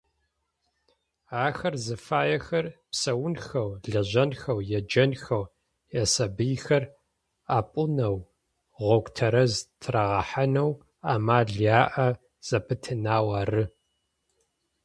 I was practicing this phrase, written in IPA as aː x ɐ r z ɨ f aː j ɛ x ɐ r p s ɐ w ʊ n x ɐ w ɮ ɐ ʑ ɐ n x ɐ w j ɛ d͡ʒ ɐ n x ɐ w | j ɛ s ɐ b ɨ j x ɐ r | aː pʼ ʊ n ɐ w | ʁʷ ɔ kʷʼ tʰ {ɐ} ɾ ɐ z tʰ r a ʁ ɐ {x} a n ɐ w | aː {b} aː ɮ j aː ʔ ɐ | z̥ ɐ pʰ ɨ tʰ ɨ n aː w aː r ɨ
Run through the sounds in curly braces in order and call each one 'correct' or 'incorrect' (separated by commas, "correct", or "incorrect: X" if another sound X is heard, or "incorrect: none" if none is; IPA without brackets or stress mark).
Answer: correct, incorrect: ħ, incorrect: m